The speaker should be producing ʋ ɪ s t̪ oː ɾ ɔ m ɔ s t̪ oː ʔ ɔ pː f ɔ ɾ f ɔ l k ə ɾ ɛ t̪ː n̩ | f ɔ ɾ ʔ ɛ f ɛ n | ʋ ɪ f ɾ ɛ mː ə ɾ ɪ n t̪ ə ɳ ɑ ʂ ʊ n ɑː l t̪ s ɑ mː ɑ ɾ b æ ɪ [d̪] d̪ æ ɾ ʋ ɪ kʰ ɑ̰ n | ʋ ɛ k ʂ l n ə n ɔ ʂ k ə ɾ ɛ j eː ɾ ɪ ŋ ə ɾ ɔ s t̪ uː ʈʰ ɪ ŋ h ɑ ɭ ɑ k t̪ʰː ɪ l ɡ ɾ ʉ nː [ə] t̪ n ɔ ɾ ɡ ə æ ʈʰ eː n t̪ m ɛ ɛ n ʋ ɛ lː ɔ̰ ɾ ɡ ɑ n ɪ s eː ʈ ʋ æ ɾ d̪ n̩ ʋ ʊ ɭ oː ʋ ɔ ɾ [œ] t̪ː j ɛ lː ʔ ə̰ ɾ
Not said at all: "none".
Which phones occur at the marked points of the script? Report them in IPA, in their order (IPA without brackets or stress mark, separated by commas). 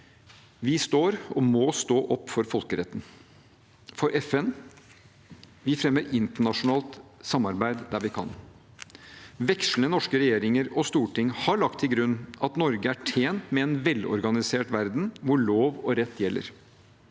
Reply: d̪, ɑ, ɛ